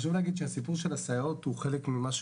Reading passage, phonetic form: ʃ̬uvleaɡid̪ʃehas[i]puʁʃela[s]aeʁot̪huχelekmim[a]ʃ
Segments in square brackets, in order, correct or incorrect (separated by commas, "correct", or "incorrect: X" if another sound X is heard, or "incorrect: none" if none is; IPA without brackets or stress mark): correct, correct, correct